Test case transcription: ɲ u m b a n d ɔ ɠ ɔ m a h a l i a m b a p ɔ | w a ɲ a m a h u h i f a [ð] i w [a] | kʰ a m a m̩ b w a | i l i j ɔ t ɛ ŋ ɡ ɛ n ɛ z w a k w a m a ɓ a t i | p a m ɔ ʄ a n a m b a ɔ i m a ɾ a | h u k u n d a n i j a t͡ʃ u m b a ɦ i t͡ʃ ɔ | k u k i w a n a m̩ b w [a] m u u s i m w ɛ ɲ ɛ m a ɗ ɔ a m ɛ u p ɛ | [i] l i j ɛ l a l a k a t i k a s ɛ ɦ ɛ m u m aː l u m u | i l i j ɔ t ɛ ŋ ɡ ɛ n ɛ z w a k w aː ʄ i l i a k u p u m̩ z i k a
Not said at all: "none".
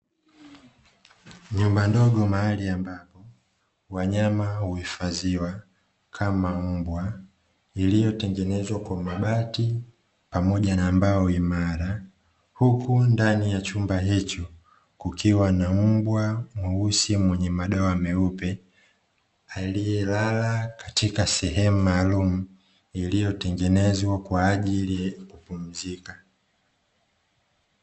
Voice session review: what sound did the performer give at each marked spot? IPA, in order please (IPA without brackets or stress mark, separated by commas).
z, a, a, a